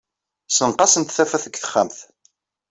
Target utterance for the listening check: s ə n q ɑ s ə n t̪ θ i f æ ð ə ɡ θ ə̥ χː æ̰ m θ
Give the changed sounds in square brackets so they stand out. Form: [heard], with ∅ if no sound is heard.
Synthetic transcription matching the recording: s ə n q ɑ s ə n t̪ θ [æ] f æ [θ] ə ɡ θ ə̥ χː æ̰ m θ